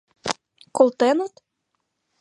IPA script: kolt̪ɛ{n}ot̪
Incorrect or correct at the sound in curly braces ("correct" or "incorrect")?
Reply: correct